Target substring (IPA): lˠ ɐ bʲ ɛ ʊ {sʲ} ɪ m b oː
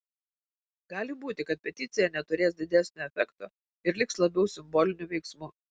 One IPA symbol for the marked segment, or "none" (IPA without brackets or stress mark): sʲ